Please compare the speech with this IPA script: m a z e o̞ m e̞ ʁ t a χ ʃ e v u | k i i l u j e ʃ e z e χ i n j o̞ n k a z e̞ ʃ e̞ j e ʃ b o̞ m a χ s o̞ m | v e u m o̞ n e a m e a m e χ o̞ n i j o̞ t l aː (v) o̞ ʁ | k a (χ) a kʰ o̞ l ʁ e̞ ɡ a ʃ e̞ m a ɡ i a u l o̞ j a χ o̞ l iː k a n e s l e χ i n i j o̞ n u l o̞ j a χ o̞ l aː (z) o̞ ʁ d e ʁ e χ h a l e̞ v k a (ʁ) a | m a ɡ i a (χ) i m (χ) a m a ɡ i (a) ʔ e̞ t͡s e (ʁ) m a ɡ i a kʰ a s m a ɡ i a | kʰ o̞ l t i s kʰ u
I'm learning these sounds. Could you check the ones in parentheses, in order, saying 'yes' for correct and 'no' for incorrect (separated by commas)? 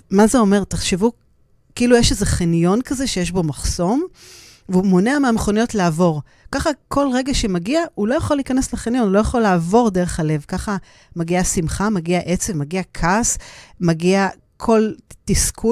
yes, yes, no, no, no, yes, yes, no